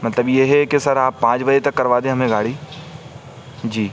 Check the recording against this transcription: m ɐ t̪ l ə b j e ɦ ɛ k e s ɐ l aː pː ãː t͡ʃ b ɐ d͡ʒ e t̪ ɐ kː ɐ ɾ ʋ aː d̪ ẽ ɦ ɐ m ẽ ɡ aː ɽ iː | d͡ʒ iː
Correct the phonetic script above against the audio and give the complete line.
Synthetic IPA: m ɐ t̪ l ə b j e ɦ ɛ k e s ɐ ɾ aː pː ãː t͡ʃ b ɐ d͡ʒ e t̪ ɐ kː ɐ ɾ ʋ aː d̪ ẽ ɦ ɐ m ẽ ɡ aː ɽ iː | d͡ʒ iː

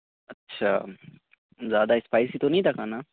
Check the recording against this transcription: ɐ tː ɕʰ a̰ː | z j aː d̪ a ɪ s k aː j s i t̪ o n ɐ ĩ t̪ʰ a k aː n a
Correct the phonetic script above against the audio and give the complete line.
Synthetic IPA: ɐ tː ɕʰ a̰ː | z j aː d̪ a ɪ s p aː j s i t̪ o n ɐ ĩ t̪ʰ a k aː n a

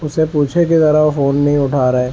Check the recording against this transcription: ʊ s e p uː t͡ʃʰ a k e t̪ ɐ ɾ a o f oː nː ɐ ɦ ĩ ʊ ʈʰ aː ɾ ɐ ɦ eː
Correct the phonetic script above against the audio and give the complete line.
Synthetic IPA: ʊ s e p uː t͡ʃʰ e k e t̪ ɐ ɾ a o f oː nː ɐ ɦ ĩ ʊ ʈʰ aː ɾ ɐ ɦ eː

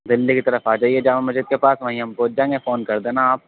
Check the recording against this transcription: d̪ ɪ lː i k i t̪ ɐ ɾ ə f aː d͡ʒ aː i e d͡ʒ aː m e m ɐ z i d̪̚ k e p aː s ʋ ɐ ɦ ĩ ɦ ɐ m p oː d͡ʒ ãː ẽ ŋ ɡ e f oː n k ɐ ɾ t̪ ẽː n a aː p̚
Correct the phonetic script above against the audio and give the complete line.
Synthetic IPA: d̪ ɪ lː i k i t̪ ɐ ɾ ə f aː d͡ʒ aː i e d͡ʒ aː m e m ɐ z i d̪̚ k e p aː s ʋ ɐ ɦ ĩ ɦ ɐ m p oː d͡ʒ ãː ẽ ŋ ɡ e f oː n k ɐ ɾ d̪ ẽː n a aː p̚

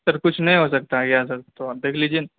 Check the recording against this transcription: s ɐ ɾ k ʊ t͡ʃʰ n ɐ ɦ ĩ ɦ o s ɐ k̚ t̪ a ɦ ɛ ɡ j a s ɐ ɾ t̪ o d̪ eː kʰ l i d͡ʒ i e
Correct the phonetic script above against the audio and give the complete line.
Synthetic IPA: s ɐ ɾ k ʊ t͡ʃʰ n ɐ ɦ ĩ ɦ o s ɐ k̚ t̪ a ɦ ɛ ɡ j a s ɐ ɾ t̪ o d̪ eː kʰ l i d͡ʒ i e

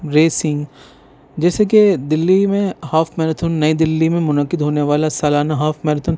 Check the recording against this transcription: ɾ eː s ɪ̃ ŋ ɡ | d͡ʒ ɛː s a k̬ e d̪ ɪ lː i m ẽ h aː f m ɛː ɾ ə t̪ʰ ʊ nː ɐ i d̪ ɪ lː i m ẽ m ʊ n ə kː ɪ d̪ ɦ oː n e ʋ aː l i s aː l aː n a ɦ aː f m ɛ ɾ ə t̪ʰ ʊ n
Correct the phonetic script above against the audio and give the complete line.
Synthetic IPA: ɾ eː s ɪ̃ ŋ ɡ | d͡ʒ ɛː s e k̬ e d̪ ɪ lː i m ẽ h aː f m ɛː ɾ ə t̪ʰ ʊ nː ɐ i d̪ ɪ lː i m ẽ m ʊ n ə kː ɪ d̪ ɦ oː n e ʋ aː l a s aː l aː n a ɦ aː f m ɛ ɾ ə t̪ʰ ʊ n

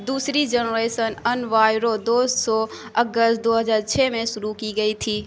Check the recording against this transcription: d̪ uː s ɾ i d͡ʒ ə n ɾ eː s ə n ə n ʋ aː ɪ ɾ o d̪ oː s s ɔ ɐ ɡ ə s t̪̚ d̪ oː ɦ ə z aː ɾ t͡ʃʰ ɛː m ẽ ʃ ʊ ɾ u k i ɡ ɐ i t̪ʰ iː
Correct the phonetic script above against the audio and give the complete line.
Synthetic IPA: d̪ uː s ɾ i d͡ʒ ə n ɾ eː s ə n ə n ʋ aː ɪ ɾ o d̪ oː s s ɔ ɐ ɡ ə s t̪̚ d̪ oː ɦ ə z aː ɾ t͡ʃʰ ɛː m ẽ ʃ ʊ ɾ u k i ɡ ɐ i t̪ʰ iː

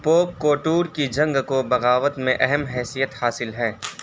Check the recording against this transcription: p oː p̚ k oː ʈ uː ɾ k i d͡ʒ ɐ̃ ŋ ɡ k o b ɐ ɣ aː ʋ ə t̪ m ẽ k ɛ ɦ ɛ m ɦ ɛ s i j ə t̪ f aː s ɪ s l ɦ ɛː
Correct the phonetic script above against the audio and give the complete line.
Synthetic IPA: p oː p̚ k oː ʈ uː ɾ k i d͡ʒ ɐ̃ ŋ ɡ k o b ɐ ɣ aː ʋ ə t̪ m ẽ ʔ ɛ ɦ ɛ m ɦ ɛː s i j ə t̪ h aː s ɪ l ɦ ɛː

